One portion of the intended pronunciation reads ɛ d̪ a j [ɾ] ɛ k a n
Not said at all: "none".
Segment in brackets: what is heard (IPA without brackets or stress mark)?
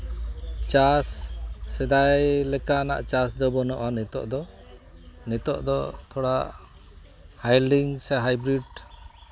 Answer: l